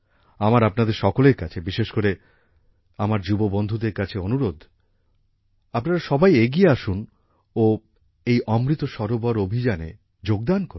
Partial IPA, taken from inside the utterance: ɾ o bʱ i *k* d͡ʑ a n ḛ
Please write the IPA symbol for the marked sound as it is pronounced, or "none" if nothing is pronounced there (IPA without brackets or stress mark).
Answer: none